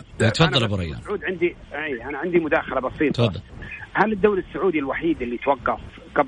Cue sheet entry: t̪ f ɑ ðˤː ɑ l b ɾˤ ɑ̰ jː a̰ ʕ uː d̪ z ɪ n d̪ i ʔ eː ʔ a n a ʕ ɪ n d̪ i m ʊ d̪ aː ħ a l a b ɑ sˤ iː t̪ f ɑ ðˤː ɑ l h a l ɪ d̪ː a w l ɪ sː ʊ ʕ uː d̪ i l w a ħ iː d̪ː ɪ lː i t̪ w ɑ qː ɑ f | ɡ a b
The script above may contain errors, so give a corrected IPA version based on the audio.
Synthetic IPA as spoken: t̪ f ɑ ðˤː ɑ l b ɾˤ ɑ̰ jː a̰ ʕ uː d̪ ʕ ɪ n d̪ i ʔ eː ʔ a n a ʕ ɪ n d̪ i m ʊ d̪ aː x a l a b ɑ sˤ iː t̪ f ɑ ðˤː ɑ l h a l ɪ d̪ː a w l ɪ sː ʊ ʕ uː d̪ i l w a ħ iː d̪ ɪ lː i t̪ w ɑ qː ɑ f | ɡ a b